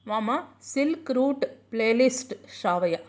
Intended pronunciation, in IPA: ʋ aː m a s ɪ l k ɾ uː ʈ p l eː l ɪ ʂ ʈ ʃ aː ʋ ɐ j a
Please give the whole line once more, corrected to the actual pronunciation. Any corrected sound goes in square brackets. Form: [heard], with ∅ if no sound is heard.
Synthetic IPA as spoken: ʋ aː m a s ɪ l k ɾ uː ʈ p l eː l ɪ [s] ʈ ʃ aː ʋ ɐ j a